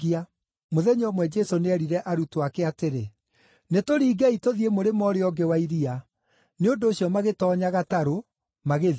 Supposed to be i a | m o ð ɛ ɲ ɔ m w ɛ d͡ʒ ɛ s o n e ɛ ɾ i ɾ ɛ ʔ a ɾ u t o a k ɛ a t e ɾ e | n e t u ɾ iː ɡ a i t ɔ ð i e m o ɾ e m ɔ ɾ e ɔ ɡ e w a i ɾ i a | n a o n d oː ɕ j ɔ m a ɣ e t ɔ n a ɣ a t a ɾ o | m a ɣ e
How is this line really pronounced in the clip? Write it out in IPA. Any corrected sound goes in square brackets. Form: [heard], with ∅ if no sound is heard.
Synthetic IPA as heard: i a | m o ð ɛ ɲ ɔ m w ɛ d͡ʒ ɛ s o n e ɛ ɾ i ɾ ɛ ʔ a ɾ u t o a k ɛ a t e ɾ e | n e t [o] ɾ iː ɡ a i t [o] ð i e m o ɾ e m ɔ ɾ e ɔ ɡ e w a i ɾ i a | n [e] o n d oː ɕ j ɔ m a ɣ e t ɔ [ɲ] a ɣ a t a ɾ o | m a ɣ e

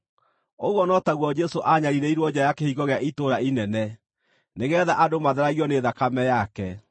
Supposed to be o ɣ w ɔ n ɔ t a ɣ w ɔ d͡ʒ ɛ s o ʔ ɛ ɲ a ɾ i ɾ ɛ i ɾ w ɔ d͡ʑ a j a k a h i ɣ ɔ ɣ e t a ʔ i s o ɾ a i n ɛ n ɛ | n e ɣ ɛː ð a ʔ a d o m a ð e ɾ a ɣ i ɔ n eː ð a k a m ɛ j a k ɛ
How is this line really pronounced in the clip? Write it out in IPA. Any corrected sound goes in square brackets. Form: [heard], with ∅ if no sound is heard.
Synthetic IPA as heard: o ɣ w ɔ n ɔ t a ɣ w ɔ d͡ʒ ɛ s o ʔ [a] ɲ a ɾ i ɾ ɛ i ɾ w ɔ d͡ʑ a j a k [e] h i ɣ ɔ ɣ e [∅] a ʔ i [t] o ɾ a i n ɛ n ɛ | n e ɣ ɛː ð a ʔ a d o m a ð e ɾ a ɣ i ɔ n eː ð a k a m ɛ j a k ɛ

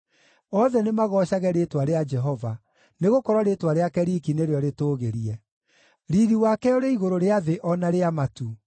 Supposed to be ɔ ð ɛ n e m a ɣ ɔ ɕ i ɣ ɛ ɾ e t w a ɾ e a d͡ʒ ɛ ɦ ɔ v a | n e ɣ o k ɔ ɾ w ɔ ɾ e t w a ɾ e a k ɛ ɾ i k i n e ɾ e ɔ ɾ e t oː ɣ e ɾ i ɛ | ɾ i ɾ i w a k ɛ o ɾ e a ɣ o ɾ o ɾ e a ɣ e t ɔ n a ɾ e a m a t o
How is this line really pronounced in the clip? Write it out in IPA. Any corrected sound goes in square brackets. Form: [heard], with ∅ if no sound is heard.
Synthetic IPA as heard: ɔ ð ɛ n e m a ɣ ɔ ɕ [a] ɣ ɛ ɾ e t w a ɾ e a d͡ʒ ɛ ɦ ɔ v a | n e ɣ o k ɔ ɾ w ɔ ɾ e t w a ɾ e a k ɛ ɾ i k i n e ɾ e ɔ ɾ e t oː ɣ e ɾ i ɛ | ɾ i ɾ i w a k ɛ o ɾ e [i] ɣ o ɾ o ɾ e a [ð] e [ʔ] ɔ n a ɾ e a m a t [u]

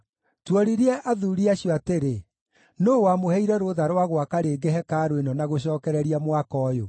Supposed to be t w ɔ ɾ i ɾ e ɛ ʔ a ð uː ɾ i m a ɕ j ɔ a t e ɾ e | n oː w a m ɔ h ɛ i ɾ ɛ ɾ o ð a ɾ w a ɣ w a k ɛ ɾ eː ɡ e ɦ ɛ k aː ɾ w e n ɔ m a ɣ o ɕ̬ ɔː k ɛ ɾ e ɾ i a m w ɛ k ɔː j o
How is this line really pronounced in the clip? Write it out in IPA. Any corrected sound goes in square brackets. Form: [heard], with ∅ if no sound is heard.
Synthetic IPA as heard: t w ɔ ɾ i ɾ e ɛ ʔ a ð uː ɾ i [∅] a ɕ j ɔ a t e ɾ e | n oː w a m [o] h ɛ i ɾ ɛ ɾ o ð a ɾ w a ɣ w a k [a] ɾ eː ɡ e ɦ ɛ k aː ɾ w e n ɔ [n] a ɣ o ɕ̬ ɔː k ɛ ɾ [ɛ] ɾ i a m w [a] k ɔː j o

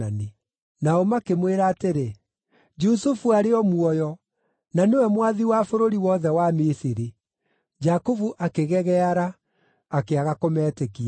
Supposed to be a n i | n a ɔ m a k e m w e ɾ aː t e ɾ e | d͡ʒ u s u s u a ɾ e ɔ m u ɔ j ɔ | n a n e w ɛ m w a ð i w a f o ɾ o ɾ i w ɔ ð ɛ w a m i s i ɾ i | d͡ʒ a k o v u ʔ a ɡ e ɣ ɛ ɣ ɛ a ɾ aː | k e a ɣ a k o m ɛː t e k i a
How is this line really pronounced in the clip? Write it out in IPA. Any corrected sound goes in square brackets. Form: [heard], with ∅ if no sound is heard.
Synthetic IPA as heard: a n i | n a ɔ m a k e m w e ɾ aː t e ɾ e | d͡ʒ u s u [f] u a ɾ e ɔ m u ɔ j ɔ | n a n e w ɛ m w a ð i w a f o ɾ o ɾ i w ɔ ð ɛ w a m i s i ɾ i | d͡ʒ a k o v u ʔ a [k] e ɣ ɛ ɣ ɛ a ɾ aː | k e a ɣ a k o m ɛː t e k i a

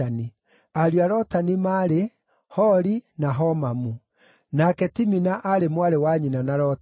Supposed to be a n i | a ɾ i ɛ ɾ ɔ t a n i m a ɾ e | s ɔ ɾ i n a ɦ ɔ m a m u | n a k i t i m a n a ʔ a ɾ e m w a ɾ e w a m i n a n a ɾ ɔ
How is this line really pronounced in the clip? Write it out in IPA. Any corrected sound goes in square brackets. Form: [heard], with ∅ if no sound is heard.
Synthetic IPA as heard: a n i | a ɾ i [a] ɾ ɔ t a n i m a ɾ e | [h] ɔ ɾ i n a ɦ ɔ m a m u | n a k [ɛ] t i m [i] n a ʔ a ɾ e m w a ɾ e w a [ɲ] i n a n a ɾ ɔ

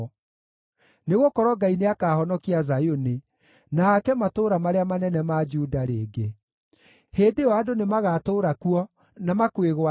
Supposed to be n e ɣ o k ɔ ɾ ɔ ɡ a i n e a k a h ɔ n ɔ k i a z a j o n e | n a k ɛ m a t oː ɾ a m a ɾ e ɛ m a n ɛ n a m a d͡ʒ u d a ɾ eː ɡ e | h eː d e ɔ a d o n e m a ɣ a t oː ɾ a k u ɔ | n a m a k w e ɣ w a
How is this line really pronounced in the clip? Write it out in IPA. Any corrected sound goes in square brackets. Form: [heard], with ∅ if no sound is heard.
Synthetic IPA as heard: n e ɣ o k ɔ ɾ ɔ ɡ a i n e a k a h ɔ n ɔ k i a z a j o n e | n a k ɛ m a t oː ɾ a m a ɾ e [a] m a n ɛ n [ɛ] m a d͡ʒ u d a ɾ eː ɡ e | h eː d e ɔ a d o n e m a ɣ a t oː ɾ a k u ɔ | n a m a k w e ɣ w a

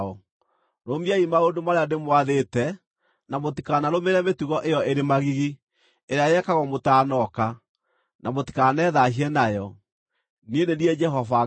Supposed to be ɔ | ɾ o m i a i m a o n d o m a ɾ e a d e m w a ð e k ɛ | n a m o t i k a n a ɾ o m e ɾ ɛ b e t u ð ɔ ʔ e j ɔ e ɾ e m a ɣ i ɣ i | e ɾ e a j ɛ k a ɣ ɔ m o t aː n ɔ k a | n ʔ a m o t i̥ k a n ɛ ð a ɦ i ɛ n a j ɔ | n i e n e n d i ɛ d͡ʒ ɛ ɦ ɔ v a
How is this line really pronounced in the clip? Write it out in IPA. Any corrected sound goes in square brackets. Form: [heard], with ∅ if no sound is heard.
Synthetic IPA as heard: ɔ | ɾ o m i a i m a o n d o m a ɾ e a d e m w a ð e [t] ɛ | n a m o t i k a n a ɾ o m e ɾ ɛ [m] e t u [ɣ] ɔ ʔ e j ɔ e ɾ e m a ɣ i ɣ i | e ɾ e a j ɛ k a ɣ ɔ m o t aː n ɔ k a | n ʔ a m o t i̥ k a n ɛ ð a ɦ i ɛ n a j ɔ | n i e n e n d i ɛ d͡ʒ ɛ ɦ ɔ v a

